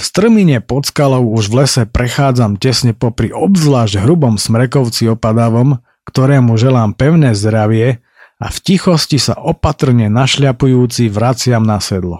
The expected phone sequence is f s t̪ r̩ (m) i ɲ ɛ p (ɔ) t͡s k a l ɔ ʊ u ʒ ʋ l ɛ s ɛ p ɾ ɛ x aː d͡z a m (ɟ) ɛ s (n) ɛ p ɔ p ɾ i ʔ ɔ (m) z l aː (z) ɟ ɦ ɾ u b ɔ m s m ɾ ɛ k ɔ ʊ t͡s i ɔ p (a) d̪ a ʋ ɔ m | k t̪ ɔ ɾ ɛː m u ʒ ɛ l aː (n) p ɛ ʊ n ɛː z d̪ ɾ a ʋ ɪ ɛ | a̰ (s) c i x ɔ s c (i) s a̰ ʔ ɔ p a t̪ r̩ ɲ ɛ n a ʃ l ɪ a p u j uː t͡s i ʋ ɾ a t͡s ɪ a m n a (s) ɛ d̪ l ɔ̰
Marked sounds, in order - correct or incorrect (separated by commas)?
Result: correct, correct, incorrect, incorrect, incorrect, incorrect, correct, incorrect, incorrect, correct, correct